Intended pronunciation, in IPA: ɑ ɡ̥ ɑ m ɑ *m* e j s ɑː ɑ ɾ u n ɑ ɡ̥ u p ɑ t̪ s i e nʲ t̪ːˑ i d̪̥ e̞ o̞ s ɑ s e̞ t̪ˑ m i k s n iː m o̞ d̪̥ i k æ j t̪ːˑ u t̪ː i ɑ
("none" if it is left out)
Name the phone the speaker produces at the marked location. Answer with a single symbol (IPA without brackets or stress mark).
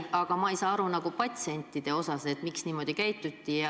none